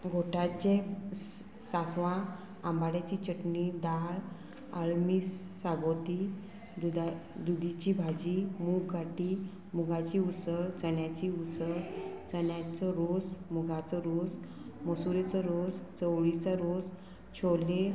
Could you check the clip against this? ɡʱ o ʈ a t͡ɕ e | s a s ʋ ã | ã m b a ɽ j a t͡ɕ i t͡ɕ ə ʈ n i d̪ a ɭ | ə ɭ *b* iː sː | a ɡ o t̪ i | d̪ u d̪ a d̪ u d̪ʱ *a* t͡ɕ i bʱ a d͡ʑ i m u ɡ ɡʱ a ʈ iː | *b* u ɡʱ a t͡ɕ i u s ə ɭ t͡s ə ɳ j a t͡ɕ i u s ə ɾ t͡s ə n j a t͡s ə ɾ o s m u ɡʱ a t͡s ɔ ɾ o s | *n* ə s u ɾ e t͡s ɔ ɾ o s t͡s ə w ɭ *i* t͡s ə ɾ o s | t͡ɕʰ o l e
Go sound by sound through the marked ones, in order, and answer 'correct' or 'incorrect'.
incorrect: m, incorrect: i, incorrect: m, incorrect: m, correct

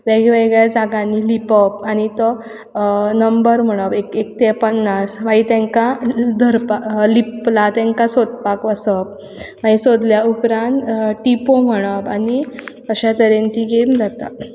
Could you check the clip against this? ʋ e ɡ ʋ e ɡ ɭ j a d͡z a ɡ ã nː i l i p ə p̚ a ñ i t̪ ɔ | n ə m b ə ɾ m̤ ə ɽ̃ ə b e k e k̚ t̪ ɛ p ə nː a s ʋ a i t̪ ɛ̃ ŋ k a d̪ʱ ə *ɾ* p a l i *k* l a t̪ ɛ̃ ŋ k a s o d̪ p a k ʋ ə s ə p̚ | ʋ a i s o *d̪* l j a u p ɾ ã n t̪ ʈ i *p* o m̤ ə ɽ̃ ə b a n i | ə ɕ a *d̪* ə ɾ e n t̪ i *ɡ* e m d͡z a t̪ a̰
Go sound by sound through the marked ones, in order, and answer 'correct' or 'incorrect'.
correct, incorrect: p, correct, correct, incorrect: t̪, correct

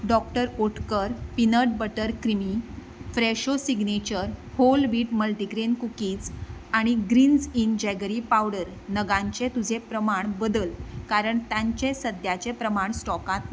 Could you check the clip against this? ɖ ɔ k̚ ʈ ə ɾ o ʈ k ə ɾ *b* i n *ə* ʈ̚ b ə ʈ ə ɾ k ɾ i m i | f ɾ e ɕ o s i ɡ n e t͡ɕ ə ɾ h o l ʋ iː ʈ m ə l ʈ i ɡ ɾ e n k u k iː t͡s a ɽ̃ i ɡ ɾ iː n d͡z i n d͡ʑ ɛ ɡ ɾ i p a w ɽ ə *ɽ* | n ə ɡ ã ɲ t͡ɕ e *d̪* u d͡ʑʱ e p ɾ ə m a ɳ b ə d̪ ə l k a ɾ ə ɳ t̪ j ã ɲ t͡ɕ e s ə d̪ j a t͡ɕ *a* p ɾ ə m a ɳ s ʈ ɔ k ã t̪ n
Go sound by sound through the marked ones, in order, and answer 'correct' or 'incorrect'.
incorrect: p, correct, incorrect: ɾ, incorrect: t̪, incorrect: e

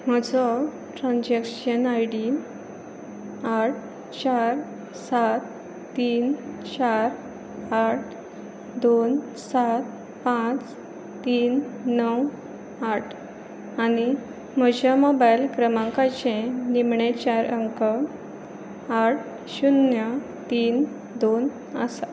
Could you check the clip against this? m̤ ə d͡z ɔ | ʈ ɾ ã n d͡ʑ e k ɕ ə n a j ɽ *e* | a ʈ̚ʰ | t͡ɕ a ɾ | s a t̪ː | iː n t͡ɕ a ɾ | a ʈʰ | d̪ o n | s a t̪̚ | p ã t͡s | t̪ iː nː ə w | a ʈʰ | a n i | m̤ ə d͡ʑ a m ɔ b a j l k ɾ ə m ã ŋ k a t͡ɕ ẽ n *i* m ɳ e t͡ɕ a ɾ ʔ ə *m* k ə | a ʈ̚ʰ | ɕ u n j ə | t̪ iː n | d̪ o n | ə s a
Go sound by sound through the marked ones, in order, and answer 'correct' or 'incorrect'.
incorrect: i, correct, incorrect: ŋ

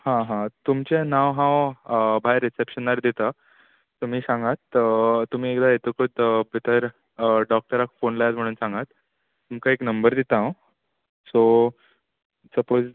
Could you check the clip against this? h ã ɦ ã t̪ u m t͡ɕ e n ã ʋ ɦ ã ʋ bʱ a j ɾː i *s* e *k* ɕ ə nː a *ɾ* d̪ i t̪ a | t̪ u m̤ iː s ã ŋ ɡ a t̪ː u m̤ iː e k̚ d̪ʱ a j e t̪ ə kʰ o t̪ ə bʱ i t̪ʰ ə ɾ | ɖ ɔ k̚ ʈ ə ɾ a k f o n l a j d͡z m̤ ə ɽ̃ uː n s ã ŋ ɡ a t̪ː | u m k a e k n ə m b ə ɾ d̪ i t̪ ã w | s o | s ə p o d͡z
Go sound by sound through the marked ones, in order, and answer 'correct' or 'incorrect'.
correct, incorrect: p, correct

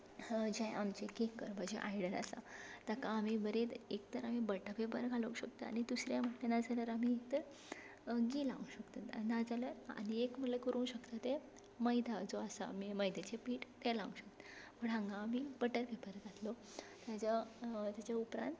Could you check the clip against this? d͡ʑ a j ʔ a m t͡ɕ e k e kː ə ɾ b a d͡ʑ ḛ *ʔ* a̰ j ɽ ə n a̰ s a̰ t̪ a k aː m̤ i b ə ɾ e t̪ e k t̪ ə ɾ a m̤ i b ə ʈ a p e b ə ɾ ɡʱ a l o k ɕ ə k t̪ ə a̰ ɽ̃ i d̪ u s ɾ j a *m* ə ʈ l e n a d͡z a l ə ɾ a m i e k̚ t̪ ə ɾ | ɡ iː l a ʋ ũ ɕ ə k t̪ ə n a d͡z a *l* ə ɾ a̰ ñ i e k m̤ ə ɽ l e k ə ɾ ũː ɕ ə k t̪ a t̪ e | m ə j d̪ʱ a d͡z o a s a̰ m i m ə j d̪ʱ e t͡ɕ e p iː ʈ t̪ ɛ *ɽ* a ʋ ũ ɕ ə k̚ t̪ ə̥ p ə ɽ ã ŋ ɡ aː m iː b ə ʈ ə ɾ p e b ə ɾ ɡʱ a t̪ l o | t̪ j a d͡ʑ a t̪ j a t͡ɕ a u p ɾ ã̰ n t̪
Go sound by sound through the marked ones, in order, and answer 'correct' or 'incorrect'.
correct, correct, correct, incorrect: l

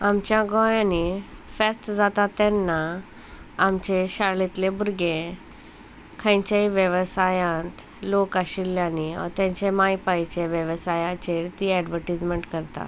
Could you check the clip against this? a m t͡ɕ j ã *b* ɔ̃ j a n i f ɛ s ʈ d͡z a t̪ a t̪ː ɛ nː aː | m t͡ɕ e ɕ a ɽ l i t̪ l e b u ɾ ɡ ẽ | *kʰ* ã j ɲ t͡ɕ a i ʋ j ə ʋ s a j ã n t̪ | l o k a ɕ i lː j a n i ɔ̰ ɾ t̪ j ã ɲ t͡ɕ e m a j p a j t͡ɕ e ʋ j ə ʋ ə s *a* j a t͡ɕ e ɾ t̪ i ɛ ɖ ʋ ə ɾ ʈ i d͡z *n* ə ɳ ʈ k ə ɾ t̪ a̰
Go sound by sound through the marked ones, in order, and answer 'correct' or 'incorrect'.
incorrect: ɡ, correct, correct, incorrect: m

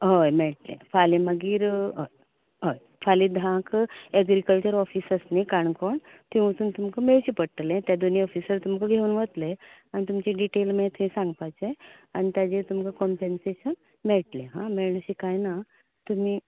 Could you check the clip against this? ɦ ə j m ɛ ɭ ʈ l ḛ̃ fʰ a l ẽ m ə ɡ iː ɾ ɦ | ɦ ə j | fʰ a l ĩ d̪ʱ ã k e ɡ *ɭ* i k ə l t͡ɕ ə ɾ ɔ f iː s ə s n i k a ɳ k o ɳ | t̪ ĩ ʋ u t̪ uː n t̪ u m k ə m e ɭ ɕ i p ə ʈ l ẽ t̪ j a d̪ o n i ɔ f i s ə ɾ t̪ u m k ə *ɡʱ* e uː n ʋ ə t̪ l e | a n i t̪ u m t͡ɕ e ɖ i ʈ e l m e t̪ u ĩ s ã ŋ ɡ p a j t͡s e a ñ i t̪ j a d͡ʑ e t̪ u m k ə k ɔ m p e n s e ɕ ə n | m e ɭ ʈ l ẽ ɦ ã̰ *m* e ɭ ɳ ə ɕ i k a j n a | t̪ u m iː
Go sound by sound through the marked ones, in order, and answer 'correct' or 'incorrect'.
incorrect: ɾ, correct, correct

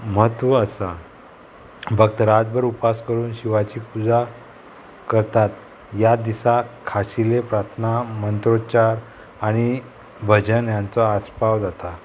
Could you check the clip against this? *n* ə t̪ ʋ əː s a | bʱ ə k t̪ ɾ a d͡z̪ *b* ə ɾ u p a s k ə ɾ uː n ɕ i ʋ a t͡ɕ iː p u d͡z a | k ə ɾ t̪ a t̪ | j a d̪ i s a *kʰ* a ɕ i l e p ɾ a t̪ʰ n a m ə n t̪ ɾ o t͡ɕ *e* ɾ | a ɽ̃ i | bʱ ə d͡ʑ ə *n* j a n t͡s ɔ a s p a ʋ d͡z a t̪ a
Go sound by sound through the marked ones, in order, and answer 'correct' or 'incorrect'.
incorrect: m, correct, correct, incorrect: a, correct

